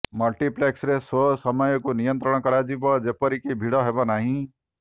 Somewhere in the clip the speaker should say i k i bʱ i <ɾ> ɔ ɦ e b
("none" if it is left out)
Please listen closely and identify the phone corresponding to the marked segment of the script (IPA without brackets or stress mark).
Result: ɽ